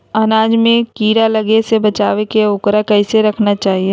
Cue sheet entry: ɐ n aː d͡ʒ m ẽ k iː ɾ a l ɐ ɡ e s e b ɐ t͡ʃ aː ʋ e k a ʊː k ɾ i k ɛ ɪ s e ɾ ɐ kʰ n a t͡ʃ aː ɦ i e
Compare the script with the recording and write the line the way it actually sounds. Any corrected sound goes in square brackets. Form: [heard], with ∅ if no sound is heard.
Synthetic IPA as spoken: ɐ n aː d͡ʒ m ẽ k iː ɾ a l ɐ ɡ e s e b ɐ t͡ʃ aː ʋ e k [e] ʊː k ɾ [a] k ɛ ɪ s e ɾ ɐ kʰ n a t͡ʃ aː ɦ i e